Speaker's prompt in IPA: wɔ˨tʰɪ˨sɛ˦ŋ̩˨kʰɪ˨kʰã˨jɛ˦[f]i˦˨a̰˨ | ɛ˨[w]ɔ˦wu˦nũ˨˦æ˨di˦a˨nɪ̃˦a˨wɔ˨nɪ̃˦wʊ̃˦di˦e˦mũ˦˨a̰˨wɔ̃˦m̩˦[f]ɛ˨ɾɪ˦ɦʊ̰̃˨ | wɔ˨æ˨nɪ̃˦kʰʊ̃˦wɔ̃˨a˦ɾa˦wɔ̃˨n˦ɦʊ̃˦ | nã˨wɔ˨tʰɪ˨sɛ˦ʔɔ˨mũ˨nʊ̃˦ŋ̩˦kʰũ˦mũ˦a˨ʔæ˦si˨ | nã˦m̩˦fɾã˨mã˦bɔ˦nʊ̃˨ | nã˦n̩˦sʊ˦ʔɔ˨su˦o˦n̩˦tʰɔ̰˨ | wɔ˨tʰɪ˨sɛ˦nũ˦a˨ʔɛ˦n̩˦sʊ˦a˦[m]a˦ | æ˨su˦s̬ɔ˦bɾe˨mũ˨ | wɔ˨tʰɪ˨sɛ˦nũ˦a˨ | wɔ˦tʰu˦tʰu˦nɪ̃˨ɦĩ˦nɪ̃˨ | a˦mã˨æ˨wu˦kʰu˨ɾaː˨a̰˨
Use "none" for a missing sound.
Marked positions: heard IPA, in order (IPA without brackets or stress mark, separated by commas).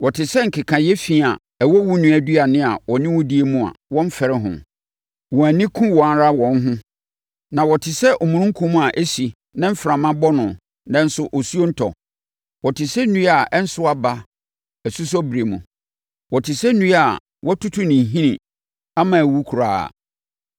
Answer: f, w, f, b